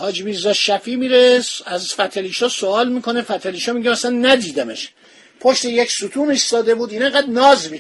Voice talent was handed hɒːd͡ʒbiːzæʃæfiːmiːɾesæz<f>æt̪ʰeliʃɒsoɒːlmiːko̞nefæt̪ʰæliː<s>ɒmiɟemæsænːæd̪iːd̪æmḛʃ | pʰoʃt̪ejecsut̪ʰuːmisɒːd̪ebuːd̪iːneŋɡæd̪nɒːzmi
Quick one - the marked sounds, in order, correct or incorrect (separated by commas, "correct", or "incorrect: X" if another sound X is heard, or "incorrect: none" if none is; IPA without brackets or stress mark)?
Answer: correct, incorrect: ʃ